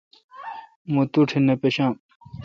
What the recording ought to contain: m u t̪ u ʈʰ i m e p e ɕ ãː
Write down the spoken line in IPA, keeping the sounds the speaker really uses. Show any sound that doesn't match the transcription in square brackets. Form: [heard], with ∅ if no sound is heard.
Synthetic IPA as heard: m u t̪ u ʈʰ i [n] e p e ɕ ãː